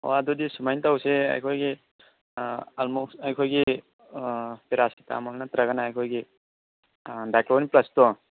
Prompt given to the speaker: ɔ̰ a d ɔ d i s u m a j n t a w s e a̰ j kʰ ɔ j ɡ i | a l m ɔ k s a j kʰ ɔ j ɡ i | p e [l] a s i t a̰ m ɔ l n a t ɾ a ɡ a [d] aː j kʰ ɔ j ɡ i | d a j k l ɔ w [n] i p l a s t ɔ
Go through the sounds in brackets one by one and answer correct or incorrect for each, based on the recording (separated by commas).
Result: incorrect, incorrect, correct